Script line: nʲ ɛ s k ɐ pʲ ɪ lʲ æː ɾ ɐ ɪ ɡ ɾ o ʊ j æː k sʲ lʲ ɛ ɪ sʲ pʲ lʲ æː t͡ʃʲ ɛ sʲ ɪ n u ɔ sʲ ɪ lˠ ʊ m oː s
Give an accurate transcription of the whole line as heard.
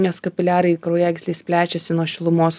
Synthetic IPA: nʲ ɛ s k ɐ pʲ ɪ lʲ æː ɾ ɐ ɪ k ɾ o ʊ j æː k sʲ lʲ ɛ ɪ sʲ pʲ lʲ æː t͡ʃʲ ɛ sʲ ɪ n u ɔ ʃʲ ɪ lˠ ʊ m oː s

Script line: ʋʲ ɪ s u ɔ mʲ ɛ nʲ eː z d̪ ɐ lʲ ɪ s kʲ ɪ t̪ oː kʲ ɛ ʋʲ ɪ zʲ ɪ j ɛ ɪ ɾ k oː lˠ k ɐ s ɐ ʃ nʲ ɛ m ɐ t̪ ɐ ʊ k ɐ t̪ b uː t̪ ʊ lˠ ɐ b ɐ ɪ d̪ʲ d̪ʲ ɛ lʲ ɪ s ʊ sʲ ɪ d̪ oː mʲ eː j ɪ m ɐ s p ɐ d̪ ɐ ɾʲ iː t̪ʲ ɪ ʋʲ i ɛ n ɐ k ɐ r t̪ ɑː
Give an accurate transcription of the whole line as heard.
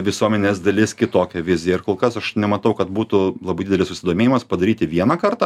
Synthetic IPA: ʋʲ ɪ s u ɔ mʲ ɛ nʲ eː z d̪ ɐ lʲ ɪ s kʲ ɪ t̪ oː kʲ ɛ ʋʲ ɪ zʲ ɪ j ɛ ɪ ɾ k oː lˠ k ɐ s ɐ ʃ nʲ ɛ m ɐ t̪ ɐ ʊ k ɐ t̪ b uː t̪ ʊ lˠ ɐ b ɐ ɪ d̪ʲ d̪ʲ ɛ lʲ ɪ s ʊ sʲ ɪ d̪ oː mʲ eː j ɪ m ɐ s p ɐ d̪ ɐ ɾʲ iː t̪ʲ ɪ ʋʲ i ɛ n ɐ k ɐ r t̪ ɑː

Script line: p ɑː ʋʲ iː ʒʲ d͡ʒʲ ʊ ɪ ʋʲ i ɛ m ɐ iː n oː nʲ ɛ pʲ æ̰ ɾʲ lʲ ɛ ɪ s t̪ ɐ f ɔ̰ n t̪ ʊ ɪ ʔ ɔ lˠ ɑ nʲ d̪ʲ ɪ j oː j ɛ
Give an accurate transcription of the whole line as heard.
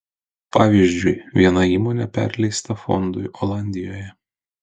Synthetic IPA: p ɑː ʋʲ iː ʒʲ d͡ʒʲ ʊ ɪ ʋʲ i ɛ n ɐ iː m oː nʲ ɛ pʲ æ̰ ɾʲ lʲ ɛ ɪ s t̪ ɐ f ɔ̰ n d̪ ʊ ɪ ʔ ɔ lˠ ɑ nʲ d̪ʲ ɪ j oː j ɛ

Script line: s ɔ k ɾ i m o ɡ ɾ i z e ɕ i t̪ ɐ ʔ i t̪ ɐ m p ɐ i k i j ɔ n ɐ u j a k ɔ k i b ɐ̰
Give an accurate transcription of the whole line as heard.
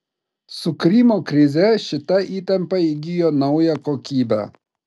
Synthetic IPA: s u k ɾ i m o k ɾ i z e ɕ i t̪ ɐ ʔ i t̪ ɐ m p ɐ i ɡ i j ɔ n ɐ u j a k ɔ k i b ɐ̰

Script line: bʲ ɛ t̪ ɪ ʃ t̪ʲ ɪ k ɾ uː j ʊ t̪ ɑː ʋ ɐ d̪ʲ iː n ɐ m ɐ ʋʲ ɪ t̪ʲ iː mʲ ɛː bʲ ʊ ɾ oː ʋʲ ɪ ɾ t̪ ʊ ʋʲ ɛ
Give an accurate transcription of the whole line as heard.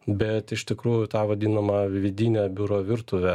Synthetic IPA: bʲ ɛ t̪ ɪ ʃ t̪ʲ ɪ k ɾ uː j ʊ t̪ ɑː ʋ ɐ d̪ʲ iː n ɐ m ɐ ʋʲ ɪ d̪ʲ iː nʲ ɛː bʲ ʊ ɾ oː ʋʲ ɪ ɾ t̪ ʊ ʋʲ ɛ

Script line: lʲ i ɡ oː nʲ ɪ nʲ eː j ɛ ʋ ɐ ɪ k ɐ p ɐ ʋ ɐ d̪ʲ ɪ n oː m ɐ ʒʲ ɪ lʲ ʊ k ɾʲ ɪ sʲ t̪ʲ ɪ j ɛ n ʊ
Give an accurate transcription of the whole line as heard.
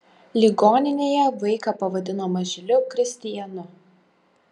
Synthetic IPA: lʲ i ɡ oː nʲ ɪ nʲ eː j ɛ ʋ ɐ ɪ k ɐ p ɐ ʋ ɐ d̪ʲ ɪ n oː m ɐ ʒʲ ɪ lʲ ʊ k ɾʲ ɪ sʲ t̪ʲ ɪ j ɛ n ʊ

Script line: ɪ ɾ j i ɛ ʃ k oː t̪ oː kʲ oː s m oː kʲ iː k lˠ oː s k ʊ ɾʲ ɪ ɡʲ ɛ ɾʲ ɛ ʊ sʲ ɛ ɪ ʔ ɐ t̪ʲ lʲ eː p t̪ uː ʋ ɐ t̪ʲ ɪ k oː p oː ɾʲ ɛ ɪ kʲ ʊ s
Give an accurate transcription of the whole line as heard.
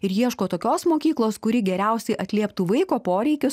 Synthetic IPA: ɪ ɾ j i ɛ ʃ k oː t̪ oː kʲ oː s m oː kʲ iː k lˠ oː s k ʊ ɾʲ ɪ ɡʲ ɛ ɾʲ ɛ ʊ sʲ ɛ ɪ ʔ ɐ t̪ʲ lʲ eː p t̪ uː ʋ ɐ ɪ k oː p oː ɾʲ ɛ ɪ kʲ ʊ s

